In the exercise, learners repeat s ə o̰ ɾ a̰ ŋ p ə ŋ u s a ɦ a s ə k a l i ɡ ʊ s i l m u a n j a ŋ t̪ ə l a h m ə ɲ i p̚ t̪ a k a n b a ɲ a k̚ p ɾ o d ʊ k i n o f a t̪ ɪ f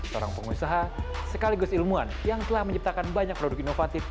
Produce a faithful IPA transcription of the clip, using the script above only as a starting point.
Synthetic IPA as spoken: s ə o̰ ɾ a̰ ŋ p ə ŋ u s a ɦ a s ə k a l i ɡ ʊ s i l m u a n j a ŋ t̪ ə l a h m ə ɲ i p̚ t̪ a k a n b a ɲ a k̚ p ɾ o d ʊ k i n o f a t̪ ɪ f